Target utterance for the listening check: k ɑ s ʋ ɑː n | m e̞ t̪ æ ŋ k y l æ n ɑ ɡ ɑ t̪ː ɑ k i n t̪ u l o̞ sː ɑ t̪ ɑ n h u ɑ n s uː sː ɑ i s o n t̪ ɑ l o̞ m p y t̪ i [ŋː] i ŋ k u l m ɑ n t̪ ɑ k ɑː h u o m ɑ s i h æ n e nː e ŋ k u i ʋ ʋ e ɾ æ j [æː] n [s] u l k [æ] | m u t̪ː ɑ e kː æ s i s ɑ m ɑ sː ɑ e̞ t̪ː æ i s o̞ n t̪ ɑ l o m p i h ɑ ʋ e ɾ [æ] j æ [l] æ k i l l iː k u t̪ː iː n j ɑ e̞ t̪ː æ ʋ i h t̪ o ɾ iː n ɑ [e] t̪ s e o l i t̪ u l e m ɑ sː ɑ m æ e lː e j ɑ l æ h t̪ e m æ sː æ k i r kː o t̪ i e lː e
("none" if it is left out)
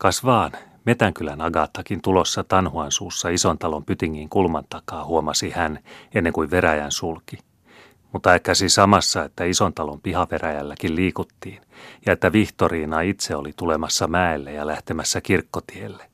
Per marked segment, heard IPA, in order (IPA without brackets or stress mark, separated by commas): ŋː, æ, s, i, æ, lː, i